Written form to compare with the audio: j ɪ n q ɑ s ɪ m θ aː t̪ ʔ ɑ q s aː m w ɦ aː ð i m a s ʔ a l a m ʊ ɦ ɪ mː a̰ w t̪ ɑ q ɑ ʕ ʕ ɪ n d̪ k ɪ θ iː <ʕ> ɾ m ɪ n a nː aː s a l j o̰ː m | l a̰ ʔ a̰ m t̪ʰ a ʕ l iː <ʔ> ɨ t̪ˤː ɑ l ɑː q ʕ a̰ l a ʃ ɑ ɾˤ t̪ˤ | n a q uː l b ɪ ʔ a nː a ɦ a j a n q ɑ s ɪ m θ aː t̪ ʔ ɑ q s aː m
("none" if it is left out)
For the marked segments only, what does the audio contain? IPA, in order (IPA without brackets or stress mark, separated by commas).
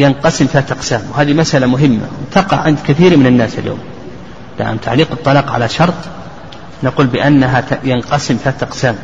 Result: none, q